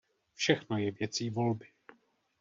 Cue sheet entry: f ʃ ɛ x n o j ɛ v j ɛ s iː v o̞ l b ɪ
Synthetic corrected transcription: f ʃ ɛ x n o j ɛ v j ɛ t͡s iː v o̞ l b ɪ